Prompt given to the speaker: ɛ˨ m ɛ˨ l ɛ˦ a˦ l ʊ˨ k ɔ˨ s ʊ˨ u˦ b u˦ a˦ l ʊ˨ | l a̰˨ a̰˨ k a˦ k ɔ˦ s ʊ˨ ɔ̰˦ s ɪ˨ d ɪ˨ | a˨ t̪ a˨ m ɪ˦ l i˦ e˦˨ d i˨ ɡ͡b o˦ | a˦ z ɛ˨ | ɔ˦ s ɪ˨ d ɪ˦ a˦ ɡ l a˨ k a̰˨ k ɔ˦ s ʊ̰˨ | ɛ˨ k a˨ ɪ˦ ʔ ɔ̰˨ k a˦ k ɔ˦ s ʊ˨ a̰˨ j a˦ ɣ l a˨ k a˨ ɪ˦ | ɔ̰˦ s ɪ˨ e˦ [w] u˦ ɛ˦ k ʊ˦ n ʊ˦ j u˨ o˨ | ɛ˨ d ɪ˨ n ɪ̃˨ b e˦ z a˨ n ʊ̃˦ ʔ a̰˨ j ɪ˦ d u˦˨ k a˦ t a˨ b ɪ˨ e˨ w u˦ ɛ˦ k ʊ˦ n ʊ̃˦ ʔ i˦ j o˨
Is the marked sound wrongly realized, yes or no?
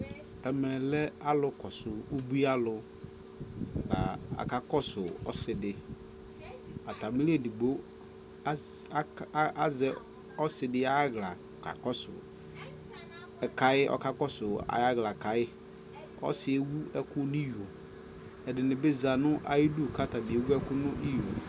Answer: no